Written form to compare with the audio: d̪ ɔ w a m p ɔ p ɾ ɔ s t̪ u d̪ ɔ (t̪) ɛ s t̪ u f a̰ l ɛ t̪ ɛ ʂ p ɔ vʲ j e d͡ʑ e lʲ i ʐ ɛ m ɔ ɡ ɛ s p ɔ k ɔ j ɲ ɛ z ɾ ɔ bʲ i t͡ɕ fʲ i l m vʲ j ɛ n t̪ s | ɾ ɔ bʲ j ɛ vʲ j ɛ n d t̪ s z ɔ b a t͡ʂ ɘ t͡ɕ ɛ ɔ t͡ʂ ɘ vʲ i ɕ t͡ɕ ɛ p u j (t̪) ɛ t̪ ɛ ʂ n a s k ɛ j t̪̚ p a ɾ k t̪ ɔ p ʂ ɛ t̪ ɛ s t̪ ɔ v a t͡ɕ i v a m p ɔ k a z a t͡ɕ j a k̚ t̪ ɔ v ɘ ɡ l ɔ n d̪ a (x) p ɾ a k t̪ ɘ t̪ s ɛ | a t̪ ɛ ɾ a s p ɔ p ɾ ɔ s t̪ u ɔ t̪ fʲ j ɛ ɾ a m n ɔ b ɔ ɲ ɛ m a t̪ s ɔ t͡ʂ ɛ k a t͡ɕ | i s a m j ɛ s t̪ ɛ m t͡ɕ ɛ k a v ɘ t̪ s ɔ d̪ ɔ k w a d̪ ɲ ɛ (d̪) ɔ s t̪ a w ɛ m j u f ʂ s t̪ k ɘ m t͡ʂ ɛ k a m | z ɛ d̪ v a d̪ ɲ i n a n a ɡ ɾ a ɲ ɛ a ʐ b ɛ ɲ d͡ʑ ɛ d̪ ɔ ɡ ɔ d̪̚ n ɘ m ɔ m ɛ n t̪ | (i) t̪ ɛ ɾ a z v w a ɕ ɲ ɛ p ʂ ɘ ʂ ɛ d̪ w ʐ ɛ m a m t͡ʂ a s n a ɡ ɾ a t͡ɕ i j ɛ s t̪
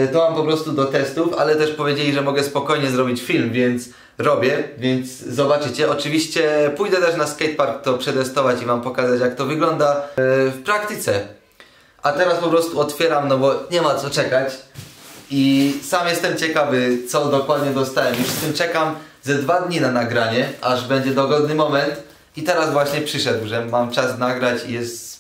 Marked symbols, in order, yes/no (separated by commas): yes, no, no, yes, yes